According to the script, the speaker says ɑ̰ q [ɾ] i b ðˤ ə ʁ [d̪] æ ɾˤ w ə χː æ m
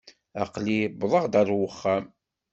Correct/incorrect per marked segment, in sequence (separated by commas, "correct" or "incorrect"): incorrect, correct